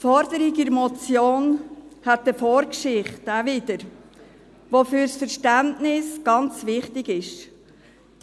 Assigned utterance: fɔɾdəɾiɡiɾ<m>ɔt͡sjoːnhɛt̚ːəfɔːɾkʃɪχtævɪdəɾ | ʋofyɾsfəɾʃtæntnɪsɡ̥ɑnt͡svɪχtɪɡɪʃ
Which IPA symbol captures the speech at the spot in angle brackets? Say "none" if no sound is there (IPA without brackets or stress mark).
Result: m